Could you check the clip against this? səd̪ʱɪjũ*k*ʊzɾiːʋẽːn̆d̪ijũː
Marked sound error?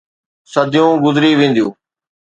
yes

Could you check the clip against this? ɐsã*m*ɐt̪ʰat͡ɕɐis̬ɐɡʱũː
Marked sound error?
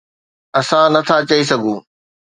yes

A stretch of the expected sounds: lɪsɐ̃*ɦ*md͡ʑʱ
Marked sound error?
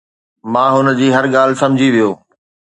yes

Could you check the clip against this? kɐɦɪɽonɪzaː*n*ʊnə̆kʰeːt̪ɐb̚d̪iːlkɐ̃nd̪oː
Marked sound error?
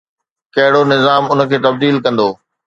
yes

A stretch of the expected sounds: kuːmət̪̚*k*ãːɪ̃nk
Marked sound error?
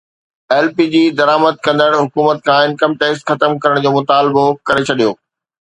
yes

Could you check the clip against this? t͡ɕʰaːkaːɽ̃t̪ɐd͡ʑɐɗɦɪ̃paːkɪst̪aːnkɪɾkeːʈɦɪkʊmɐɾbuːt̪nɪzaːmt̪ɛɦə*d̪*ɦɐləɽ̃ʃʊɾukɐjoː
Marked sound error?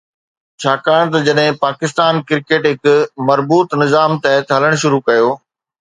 yes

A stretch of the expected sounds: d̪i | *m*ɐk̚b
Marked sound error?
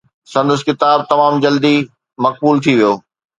no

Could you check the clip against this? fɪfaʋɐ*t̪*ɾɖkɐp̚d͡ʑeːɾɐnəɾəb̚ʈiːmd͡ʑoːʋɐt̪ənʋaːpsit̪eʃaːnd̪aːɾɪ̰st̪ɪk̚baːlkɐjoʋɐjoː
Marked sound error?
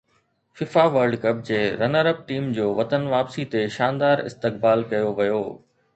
yes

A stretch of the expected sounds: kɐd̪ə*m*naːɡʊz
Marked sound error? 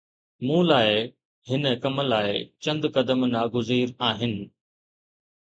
no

